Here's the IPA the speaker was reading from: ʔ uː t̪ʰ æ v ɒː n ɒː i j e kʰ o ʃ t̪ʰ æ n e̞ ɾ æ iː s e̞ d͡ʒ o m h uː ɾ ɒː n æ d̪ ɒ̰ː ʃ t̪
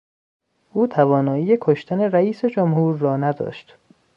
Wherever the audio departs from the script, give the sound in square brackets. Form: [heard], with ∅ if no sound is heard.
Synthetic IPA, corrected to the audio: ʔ uː t̪ʰ æ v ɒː n ɒː i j e kʰ o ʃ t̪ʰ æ n e̞ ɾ æ iː s e̞ d͡ʒ o m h uː [ɾː] ɒː n æ d̪ ɒ̰ː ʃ t̪

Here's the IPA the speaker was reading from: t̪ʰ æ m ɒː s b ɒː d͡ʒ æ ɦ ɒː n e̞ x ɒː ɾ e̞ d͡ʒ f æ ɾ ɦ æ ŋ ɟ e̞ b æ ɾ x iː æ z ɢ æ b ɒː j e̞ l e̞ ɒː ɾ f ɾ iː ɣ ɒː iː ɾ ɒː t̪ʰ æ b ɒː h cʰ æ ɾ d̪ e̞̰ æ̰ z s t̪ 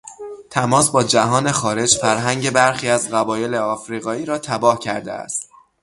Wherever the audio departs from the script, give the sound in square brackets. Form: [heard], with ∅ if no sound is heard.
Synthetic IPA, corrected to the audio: t̪ʰ æ m ɒː s b ɒː d͡ʒ æ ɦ ɒː n e̞ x ɒː ɾ e̞ d͡ʒ f æ ɾ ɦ æ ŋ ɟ e̞ b æ ɾ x iː æ z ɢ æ b ɒː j e̞ l e̞ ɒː [∅] f ɾ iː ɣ ɒː iː ɾ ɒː t̪ʰ æ b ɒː h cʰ æ ɾ d̪ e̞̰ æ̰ [∅] s t̪

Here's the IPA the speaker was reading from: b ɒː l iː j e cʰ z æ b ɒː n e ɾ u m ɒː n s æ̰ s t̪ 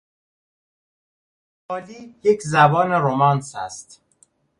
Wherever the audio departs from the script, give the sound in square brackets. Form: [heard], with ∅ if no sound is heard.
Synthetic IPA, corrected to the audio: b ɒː l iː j e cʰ z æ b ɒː n e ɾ [o] m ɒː n s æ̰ s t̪

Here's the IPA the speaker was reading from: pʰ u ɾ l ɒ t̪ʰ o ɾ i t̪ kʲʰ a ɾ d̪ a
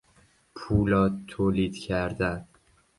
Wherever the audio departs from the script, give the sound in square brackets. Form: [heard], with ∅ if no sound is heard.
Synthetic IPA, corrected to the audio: pʰ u [∅] l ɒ t̪ʰ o [l] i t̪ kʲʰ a ɾ d̪ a

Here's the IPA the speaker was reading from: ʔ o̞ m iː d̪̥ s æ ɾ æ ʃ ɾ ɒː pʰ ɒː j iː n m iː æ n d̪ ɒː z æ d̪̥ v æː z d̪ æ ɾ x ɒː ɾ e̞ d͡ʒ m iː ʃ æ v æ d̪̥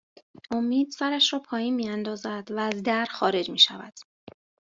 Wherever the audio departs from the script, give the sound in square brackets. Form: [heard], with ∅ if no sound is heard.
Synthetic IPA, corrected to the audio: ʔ o̞ m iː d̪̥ s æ ɾ æ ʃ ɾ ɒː pʰ ɒː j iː n m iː æ n d̪ ɒː z æ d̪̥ v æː z d̪ æ ɾ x ɒː ɾ e̞ d͡ʒ m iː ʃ æ v æ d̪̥

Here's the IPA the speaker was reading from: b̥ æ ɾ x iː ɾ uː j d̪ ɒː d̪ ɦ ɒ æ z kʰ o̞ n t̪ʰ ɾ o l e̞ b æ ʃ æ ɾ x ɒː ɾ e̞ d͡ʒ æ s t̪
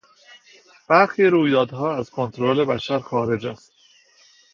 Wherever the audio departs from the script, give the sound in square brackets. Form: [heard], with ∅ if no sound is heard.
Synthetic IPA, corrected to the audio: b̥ æ ɾ x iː ɾ uː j d̪ ɒː d̪ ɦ [ɒː] æ z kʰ o̞ n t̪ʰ ɾ o l e̞ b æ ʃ æ ɾ x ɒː ɾ e̞ d͡ʒ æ s t̪

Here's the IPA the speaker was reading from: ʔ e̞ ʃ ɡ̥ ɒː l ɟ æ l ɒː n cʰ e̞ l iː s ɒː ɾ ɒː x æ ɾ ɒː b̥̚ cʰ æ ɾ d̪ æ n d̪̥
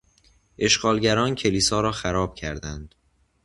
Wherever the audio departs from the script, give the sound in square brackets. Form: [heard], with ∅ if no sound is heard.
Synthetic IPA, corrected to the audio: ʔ e̞ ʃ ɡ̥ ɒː l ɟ æ [ɾ] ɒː n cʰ e̞ l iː s ɒː ɾ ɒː x æ ɾ ɒː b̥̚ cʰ æ ɾ d̪ æ n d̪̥

